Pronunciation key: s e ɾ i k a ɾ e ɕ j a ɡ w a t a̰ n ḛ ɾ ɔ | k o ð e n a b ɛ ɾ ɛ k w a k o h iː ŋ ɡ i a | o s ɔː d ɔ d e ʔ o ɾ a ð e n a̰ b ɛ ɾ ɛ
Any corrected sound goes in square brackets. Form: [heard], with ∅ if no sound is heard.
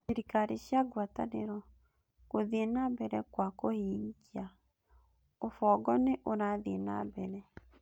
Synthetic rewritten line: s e ɾ i k a ɾ e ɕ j a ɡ w a t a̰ n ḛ ɾ ɔ | k o ð e n a b ɛ ɾ ɛ k w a k o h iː ŋ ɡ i a | o [f] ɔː [ɡ] ɔ [n] e ʔ o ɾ a ð e n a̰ b ɛ ɾ ɛ